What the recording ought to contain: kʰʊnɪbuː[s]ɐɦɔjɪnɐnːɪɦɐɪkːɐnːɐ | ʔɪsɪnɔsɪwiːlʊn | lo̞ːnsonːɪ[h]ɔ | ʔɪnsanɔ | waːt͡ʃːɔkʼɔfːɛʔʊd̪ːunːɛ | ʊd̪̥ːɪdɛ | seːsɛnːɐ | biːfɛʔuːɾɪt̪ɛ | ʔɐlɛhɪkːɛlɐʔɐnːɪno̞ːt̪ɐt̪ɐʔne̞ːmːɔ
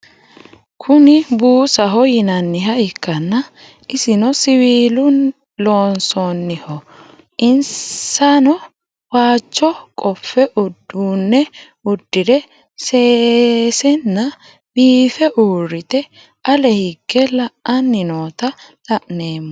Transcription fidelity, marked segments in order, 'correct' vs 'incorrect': correct, correct

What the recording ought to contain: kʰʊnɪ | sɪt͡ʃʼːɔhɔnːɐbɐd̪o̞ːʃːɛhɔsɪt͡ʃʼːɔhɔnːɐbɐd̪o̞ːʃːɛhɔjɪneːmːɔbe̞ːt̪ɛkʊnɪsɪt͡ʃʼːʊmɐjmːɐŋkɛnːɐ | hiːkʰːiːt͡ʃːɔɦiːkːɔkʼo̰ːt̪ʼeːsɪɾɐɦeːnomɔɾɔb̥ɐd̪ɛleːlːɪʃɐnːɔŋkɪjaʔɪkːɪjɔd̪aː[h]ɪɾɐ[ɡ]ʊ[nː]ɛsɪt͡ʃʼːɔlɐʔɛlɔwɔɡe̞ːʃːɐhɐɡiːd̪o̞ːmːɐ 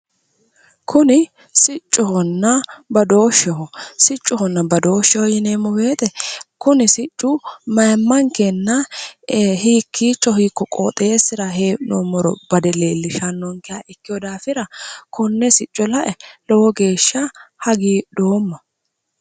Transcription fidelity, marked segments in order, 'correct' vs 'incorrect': incorrect: f, incorrect: k, correct

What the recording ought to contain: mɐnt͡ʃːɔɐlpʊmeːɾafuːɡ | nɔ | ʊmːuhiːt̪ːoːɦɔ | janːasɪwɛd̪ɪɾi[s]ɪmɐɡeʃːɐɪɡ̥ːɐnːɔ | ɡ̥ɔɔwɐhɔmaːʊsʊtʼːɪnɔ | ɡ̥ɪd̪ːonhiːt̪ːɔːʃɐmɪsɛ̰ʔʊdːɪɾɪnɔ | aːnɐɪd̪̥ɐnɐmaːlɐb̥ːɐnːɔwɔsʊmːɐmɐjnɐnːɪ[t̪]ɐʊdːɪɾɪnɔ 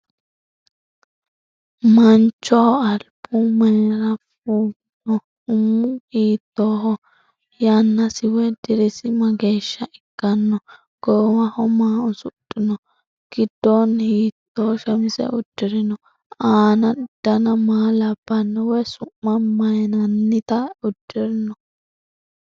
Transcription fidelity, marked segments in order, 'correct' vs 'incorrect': correct, correct

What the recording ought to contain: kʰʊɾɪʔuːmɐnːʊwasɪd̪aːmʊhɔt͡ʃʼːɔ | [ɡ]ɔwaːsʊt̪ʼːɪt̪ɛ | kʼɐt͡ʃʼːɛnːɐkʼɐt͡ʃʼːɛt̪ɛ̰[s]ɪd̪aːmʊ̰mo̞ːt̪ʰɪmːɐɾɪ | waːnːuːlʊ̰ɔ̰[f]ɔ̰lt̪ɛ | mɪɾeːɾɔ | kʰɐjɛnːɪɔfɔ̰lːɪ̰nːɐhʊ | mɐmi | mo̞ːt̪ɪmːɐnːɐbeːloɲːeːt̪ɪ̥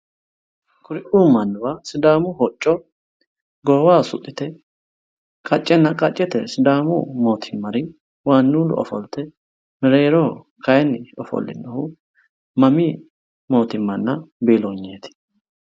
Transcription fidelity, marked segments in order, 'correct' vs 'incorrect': correct, correct, correct

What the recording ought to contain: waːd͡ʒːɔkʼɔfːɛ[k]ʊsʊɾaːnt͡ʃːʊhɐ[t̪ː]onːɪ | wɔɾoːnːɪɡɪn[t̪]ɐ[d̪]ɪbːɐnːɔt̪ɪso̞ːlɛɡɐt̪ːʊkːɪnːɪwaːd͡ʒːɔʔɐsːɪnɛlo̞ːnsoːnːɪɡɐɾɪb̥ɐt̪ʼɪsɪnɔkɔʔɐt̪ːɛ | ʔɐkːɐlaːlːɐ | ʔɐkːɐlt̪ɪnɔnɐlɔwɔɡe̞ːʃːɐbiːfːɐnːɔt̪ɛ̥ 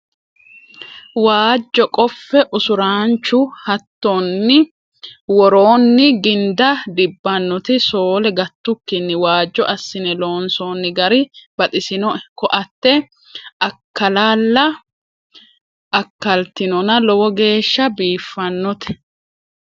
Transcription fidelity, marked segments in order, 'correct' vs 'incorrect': incorrect: ʔ, correct, incorrect: d̪, correct

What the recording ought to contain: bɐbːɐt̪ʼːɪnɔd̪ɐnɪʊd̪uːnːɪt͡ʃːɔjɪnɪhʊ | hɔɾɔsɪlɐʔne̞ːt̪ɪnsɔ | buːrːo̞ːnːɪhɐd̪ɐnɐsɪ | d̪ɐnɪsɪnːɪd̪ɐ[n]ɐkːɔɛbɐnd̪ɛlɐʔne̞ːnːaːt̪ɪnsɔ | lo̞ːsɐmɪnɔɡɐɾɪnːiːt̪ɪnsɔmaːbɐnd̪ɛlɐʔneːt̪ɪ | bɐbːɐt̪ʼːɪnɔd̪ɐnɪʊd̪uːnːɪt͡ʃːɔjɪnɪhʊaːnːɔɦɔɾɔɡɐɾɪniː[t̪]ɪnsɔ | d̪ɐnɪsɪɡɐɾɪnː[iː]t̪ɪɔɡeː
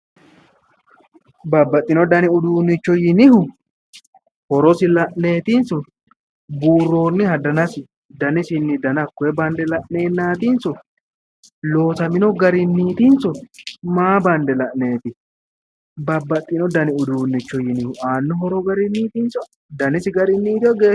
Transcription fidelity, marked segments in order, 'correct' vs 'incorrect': correct, correct, correct

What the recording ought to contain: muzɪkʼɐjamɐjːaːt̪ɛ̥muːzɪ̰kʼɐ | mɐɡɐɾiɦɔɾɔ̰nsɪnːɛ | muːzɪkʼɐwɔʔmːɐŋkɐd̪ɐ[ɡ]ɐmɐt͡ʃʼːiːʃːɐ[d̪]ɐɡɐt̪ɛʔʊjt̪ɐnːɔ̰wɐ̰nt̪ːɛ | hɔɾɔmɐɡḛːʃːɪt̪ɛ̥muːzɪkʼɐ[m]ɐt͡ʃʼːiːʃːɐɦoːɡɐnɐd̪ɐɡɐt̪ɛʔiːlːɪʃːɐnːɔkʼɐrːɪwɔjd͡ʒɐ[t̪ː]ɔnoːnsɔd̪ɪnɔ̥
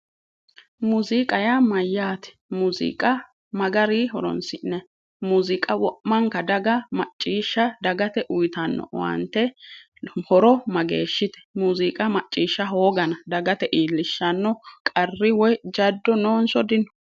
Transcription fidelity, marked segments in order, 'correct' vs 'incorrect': correct, correct, correct, incorrect: d̪ː

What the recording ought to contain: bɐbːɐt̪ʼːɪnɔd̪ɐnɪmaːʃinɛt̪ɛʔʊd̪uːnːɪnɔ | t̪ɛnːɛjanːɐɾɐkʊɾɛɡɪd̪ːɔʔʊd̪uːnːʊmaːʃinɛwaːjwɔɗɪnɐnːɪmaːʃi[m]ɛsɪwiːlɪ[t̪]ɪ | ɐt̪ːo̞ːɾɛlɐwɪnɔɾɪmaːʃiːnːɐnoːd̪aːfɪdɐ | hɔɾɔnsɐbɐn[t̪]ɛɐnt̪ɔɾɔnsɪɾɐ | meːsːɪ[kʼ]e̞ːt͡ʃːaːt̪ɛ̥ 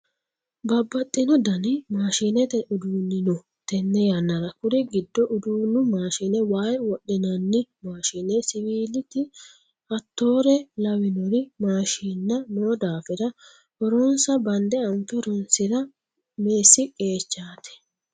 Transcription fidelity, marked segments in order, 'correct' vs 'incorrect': incorrect: n, correct, incorrect: d̪, correct

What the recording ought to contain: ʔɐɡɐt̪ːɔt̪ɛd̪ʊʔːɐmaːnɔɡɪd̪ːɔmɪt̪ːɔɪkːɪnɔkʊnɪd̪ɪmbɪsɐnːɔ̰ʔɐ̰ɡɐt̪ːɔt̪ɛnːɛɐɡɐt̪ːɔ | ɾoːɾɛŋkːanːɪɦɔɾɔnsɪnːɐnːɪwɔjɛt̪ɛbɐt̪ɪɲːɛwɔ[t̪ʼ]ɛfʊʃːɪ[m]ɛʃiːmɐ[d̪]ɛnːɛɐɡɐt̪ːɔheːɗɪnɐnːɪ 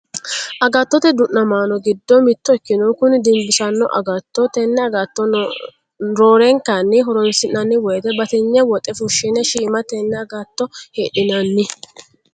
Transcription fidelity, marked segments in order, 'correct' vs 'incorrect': correct, incorrect: n, incorrect: t̪

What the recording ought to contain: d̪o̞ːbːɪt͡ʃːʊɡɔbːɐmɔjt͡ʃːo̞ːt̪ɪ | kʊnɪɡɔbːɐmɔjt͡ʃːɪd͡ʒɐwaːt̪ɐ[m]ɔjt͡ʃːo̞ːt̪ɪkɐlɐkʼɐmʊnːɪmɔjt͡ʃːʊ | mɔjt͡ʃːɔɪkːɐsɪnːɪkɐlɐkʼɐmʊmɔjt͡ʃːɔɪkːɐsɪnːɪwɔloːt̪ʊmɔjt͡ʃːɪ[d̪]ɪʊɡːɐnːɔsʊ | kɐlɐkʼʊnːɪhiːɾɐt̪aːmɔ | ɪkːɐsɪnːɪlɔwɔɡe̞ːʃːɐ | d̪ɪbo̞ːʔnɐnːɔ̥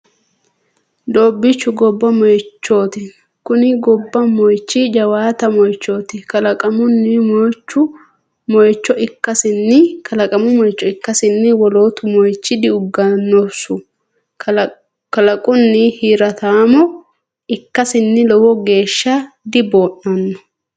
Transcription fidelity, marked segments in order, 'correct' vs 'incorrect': correct, correct

